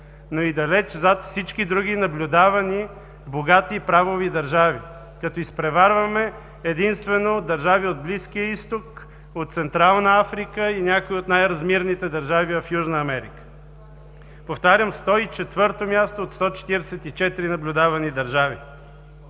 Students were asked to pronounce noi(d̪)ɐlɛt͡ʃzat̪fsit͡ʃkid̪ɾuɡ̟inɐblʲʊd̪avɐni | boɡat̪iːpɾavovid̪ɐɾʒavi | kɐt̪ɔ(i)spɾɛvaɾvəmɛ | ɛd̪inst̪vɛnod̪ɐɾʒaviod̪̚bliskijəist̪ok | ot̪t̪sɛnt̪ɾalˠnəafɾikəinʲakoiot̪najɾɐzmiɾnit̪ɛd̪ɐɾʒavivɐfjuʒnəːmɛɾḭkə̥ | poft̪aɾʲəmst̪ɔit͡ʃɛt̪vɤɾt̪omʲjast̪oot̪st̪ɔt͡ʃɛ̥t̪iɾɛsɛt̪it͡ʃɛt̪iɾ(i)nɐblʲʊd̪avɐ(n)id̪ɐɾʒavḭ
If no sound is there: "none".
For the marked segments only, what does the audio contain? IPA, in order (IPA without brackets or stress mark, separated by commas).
d̪, i, i, n